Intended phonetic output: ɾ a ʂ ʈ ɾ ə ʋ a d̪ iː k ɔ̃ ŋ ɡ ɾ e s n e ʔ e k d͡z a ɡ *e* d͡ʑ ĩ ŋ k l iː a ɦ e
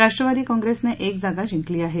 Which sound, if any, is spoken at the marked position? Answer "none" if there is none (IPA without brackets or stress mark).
a